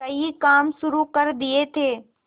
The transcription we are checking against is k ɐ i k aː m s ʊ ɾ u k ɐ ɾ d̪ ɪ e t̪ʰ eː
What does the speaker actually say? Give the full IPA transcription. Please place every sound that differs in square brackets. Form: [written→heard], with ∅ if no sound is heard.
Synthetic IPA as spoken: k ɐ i k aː m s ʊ ɾ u k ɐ ɾ d̪ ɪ e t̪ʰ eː